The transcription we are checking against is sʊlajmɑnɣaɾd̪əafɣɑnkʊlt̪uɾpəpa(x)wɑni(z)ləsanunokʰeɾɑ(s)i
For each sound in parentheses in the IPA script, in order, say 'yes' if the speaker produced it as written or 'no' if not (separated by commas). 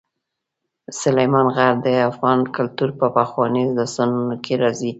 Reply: yes, yes, no